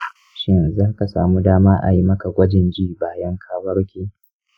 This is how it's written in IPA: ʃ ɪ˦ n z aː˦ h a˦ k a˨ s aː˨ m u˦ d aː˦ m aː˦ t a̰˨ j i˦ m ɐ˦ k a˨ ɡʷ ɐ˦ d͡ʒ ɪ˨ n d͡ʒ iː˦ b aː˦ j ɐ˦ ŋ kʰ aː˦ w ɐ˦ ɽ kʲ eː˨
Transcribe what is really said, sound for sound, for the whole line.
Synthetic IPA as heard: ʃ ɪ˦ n z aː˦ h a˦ k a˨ s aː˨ m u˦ d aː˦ m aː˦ ʔ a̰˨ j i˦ m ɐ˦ k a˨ ɡʷ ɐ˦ d͡ʒ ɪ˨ n d͡ʒ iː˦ b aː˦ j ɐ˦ ŋ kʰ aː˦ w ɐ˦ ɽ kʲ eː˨